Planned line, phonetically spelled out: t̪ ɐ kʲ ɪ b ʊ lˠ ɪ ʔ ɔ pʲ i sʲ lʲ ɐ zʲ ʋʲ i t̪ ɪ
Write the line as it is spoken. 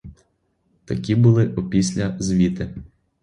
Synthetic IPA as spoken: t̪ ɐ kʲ i b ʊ lˠ ɪ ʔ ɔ pʲ i sʲ lʲ ɐ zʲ ʋʲ i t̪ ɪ